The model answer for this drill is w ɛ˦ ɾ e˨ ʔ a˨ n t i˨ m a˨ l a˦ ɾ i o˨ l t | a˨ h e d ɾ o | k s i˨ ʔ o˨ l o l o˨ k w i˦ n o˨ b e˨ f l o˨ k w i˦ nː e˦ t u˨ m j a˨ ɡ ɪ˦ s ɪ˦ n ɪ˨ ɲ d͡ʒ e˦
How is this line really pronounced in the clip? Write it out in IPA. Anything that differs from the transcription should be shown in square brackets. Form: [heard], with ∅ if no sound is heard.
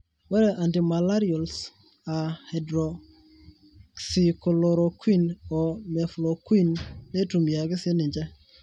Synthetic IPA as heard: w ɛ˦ ɾ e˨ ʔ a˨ n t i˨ m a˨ l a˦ ɾ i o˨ l [s] | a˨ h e d ɾ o | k s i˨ [k] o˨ l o [ɾ] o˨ k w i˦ n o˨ [m] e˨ f l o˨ k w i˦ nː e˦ t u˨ m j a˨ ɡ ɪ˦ s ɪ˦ n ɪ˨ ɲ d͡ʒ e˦

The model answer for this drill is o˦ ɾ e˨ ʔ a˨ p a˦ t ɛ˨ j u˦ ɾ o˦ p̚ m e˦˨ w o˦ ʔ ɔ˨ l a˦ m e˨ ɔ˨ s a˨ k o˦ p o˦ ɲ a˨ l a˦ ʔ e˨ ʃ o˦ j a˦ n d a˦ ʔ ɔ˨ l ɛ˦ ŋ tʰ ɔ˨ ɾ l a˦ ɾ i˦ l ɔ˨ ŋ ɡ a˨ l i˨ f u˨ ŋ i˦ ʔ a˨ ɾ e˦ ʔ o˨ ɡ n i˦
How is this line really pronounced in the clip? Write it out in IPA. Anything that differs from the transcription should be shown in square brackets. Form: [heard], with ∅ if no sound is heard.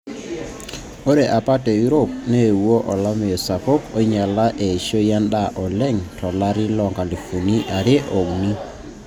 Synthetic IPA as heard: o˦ ɾ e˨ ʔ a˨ p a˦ t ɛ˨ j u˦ ɾ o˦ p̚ [n] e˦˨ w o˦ ʔ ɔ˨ l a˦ m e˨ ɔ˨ s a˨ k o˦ [k] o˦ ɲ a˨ l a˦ ʔ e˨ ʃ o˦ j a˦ n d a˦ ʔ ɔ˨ l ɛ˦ ŋ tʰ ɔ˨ [∅] l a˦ ɾ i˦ l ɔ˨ ŋ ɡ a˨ l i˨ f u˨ [n] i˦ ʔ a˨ ɾ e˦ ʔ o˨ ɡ n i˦

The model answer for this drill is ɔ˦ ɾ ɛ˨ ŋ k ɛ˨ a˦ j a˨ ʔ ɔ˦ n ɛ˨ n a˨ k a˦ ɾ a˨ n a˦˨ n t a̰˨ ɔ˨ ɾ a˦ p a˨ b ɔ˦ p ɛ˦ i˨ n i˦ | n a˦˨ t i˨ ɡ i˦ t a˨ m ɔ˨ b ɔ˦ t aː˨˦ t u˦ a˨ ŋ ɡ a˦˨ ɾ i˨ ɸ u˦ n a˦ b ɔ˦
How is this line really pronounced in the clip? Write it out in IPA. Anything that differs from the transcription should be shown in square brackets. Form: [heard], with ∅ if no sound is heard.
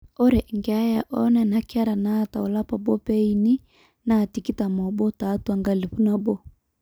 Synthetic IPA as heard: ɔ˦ ɾ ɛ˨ ŋ [ɡ] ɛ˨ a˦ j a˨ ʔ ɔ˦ n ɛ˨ n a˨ k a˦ ɾ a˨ n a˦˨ [∅] t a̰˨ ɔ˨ [l] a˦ p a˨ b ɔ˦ p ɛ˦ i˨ n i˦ | n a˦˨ t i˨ [k] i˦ t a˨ m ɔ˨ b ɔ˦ t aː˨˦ t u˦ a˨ ŋ ɡ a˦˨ [l] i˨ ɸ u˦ n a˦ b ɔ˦

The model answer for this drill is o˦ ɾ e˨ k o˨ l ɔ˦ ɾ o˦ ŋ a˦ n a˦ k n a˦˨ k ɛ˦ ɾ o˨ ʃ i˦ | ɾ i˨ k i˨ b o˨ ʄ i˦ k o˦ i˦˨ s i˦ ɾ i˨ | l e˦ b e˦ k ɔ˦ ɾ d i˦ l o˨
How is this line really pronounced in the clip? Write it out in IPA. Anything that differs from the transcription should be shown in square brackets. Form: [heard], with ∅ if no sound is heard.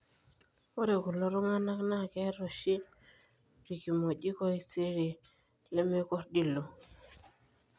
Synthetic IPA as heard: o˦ ɾ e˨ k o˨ l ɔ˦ ɾ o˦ ŋ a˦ n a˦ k n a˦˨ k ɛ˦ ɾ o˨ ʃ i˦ | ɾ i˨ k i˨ [m] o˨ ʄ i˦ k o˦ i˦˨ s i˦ ɾ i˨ | l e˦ [m] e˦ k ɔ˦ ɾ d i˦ l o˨

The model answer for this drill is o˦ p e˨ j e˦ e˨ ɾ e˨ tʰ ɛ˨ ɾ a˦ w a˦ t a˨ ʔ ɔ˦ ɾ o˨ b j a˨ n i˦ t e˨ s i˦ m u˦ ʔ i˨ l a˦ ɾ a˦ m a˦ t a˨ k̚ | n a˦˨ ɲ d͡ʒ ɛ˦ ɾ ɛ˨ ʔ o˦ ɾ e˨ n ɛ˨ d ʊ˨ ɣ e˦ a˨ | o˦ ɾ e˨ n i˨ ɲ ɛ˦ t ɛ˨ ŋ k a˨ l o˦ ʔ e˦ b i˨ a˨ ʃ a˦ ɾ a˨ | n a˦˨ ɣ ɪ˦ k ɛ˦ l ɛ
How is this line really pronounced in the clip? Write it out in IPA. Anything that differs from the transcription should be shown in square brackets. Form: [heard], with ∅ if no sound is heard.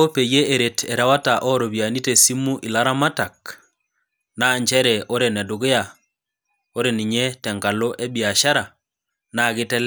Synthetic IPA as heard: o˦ p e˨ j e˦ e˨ ɾ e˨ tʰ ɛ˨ ɾ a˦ w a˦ t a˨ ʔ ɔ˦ ɾ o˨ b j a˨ n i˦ t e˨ s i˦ m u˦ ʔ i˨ l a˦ ɾ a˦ m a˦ t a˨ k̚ | n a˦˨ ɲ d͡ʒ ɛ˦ ɾ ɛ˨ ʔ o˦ ɾ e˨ n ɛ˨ d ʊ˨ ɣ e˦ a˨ | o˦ ɾ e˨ n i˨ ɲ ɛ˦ t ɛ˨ ŋ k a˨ l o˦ ʔ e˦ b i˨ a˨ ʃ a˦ ɾ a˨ | n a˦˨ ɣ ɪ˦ [t] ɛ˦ l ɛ

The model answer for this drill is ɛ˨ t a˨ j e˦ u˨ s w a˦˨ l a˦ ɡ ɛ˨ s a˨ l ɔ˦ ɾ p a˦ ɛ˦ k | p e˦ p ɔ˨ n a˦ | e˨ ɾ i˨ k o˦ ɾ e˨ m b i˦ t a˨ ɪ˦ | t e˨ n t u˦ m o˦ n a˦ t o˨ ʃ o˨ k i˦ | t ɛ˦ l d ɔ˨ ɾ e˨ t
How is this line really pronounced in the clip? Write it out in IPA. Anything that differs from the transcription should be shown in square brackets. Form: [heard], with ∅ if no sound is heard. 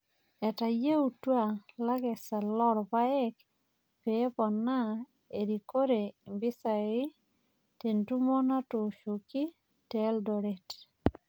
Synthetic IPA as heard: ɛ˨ t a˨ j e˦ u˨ [t] w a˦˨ l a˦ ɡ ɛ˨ s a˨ l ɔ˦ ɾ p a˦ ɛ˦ k | p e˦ p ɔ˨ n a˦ | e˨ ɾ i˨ k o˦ ɾ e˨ m b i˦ [s] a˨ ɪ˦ | t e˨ n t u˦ m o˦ n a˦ t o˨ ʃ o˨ k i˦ | t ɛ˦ l d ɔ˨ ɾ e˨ t

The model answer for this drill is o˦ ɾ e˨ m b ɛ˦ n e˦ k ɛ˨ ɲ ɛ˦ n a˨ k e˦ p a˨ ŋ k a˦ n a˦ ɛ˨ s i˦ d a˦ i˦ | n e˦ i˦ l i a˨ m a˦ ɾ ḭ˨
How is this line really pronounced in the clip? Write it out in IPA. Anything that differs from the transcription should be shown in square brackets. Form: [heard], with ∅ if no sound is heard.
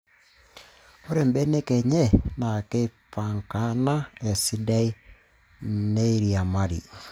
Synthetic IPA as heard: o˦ ɾ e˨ m b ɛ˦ n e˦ k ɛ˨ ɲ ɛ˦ n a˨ k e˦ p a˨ ŋ k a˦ n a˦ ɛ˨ s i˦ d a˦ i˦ | n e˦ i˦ [ɾ] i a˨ m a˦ ɾ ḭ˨

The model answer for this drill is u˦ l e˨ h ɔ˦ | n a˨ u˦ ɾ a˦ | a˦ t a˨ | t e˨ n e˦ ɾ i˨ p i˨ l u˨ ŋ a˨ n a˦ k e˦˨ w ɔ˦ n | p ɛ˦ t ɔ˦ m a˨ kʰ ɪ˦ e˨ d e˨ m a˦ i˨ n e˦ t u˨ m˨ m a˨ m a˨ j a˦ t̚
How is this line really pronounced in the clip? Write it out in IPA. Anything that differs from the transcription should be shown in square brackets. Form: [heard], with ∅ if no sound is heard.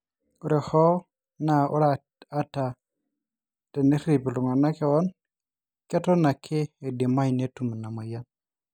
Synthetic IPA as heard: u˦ [ɾ] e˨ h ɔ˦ | n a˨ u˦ ɾ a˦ | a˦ t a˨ | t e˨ n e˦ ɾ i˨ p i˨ l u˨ ŋ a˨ n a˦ k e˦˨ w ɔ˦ n | [k] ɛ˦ t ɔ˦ [n] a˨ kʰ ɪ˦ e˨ d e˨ m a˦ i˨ n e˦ t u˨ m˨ [n] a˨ m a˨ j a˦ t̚

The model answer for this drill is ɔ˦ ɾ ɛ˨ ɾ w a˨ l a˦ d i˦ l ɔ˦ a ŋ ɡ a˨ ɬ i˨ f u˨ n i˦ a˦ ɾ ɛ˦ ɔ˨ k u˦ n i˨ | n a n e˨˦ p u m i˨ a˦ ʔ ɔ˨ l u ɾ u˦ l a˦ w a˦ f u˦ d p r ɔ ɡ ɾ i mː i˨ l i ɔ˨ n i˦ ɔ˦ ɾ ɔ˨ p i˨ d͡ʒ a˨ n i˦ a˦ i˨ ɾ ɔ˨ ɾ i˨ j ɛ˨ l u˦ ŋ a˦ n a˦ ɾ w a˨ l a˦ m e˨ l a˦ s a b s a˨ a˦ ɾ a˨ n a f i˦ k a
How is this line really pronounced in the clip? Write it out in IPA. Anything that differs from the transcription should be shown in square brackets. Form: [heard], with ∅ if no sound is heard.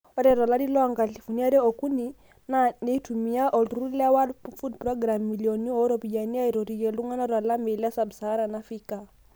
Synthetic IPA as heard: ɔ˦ ɾ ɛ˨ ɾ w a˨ l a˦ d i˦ l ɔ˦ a ŋ ɡ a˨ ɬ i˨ f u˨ n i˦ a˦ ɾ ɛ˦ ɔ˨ k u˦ n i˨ | n a n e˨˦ [t] u m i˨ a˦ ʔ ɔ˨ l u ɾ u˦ l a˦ w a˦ f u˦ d p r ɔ ɡ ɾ [a] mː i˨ l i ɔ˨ n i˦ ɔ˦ ɾ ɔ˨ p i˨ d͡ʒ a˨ n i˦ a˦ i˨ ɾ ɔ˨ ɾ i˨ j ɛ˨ l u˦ ŋ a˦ n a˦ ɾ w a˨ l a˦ m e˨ l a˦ s a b s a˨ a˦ ɾ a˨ n a f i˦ k a

